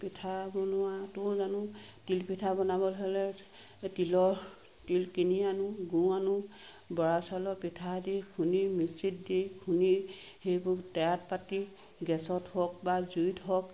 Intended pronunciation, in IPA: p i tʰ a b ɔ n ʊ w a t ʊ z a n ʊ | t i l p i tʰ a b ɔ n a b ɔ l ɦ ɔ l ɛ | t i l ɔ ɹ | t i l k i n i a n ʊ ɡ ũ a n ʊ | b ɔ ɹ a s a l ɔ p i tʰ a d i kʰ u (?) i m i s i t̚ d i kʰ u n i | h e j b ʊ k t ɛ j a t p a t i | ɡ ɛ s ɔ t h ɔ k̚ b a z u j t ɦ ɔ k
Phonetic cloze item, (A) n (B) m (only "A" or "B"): A